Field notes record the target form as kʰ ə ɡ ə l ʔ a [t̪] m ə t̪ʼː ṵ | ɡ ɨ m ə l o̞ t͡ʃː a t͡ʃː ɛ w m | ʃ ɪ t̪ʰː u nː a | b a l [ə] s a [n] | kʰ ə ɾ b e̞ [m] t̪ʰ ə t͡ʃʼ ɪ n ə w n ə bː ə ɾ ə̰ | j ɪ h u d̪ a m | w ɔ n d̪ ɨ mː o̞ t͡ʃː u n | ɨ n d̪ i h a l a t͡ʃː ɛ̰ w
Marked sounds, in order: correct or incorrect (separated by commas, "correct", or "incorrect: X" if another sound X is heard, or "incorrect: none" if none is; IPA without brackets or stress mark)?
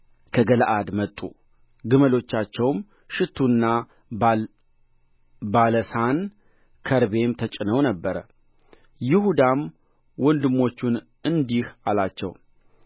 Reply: incorrect: d̪, correct, correct, correct